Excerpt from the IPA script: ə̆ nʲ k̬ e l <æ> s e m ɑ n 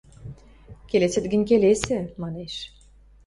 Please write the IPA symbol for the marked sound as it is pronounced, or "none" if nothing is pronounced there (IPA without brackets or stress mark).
e